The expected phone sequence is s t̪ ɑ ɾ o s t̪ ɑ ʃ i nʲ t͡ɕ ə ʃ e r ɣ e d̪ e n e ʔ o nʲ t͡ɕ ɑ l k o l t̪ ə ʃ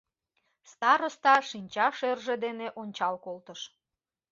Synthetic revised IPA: s t̪ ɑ ɾ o s t̪ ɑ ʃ i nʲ t͡ɕ ɑ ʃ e r ʒ e d̪ e n e ʔ o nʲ t͡ɕ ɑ l k o l t̪ ə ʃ